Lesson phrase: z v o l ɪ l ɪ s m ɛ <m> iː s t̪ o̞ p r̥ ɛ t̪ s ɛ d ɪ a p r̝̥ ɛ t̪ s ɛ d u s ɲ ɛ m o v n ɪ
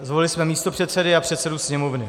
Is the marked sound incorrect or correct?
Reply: correct